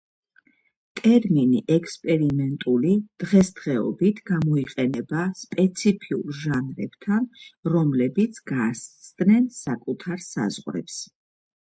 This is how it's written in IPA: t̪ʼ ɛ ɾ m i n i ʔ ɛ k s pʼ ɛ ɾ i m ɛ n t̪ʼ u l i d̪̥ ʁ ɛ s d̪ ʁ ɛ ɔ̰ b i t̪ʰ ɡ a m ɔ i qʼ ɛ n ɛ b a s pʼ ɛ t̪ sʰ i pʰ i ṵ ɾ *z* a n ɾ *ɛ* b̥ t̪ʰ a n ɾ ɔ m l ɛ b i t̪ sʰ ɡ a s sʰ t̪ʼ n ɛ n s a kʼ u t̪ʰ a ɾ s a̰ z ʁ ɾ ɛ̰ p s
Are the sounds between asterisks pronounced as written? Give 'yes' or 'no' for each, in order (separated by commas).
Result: no, yes